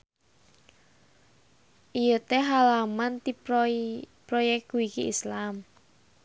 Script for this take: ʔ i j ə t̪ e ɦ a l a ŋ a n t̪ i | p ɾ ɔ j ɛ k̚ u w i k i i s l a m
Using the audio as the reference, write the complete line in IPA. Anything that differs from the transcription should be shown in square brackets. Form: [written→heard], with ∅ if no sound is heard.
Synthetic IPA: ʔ i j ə t̪ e ɦ a l a [ŋ→m] a n t̪ i | p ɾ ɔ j ɛ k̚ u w i k i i s l a m